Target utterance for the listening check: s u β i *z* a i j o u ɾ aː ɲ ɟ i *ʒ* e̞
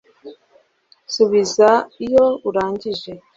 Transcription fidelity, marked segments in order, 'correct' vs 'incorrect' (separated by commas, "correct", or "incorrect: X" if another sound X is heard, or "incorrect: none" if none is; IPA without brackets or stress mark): correct, correct